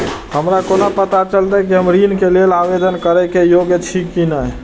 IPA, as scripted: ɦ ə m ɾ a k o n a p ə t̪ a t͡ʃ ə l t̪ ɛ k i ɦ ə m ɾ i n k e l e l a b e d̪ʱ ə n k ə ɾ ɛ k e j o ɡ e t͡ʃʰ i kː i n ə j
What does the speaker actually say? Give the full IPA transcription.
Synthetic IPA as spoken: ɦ ə m ɾ a k o n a p ə t̪ a t͡ʃ ə l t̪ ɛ k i ɦ ə m ɾ i n k e l e l a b e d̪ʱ ə n k ə ɾ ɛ k e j o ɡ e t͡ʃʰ i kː i n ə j